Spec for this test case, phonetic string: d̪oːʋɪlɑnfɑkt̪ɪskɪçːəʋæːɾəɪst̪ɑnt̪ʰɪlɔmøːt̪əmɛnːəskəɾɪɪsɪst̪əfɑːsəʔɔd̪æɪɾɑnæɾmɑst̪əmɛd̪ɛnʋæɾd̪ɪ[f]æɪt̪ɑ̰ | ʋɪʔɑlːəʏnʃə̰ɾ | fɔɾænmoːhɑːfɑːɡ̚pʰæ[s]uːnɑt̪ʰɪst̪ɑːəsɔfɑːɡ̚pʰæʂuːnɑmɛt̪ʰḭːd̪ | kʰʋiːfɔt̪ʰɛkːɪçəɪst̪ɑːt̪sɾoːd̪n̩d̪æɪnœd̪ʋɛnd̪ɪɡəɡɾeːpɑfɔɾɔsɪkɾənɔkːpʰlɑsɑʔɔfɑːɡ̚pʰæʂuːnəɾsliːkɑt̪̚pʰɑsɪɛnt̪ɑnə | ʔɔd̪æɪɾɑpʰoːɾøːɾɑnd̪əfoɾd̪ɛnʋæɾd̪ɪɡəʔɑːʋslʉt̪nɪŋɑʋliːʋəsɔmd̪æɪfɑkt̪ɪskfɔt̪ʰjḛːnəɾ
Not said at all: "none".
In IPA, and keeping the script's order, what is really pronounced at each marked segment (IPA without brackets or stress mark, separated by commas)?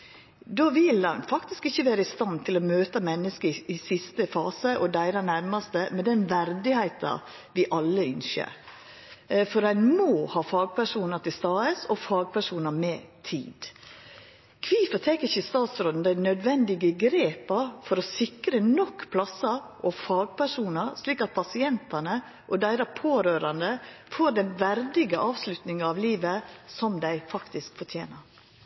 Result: h, ʂ